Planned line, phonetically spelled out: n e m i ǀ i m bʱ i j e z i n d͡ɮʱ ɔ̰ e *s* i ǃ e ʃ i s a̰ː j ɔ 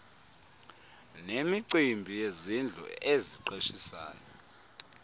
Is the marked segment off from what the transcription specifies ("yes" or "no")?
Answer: yes